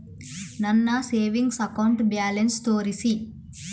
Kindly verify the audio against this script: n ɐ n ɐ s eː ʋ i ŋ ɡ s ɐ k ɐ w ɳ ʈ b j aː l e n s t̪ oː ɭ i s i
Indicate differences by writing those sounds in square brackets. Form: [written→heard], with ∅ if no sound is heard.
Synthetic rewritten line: n ɐ [n→nː] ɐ s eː ʋ i ŋ ɡ s ɐ k ɐ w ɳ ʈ b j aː l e n s t̪ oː [ɭ→ɾ] i s i